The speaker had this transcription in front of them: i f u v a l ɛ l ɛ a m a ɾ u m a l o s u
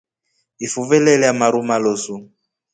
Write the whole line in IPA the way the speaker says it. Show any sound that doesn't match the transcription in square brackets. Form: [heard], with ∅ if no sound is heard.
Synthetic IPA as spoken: i f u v [ɛ] l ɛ l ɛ a m a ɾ u m a l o s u